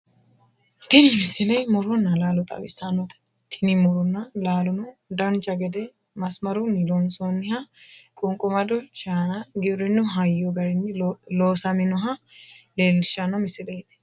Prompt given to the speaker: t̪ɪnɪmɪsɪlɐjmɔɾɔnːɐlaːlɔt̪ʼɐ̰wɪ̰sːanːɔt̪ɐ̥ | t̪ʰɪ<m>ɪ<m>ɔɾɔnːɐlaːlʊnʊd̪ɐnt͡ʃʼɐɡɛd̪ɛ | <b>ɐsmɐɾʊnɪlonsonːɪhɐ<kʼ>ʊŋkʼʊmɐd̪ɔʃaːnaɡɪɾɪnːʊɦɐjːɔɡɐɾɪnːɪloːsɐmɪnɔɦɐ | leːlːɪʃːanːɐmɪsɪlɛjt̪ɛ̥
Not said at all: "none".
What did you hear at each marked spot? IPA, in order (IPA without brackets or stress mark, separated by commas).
n, m, m, kʼ